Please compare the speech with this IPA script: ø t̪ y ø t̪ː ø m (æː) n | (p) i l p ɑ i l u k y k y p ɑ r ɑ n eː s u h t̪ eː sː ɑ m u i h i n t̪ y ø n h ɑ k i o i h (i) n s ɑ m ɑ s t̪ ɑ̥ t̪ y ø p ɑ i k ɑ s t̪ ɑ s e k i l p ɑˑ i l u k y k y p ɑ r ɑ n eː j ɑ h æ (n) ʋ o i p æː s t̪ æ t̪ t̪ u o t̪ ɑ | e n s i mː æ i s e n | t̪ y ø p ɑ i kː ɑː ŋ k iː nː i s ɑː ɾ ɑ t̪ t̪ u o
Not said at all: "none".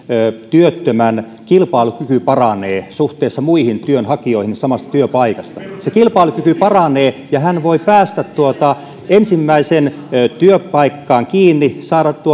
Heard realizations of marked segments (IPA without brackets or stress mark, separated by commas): æ, k, i, n